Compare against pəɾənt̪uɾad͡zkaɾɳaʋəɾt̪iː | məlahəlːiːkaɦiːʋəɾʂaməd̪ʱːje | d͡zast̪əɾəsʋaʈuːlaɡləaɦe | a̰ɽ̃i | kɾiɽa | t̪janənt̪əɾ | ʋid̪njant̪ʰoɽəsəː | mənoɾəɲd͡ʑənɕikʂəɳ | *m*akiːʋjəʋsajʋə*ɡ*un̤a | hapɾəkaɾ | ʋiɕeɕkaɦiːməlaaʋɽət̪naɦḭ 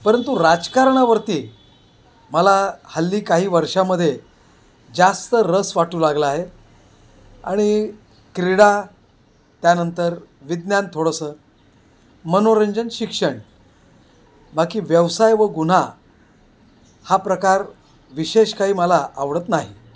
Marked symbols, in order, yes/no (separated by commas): no, yes